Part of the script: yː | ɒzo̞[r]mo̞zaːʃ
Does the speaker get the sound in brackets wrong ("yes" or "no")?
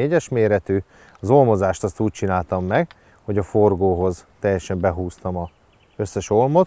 yes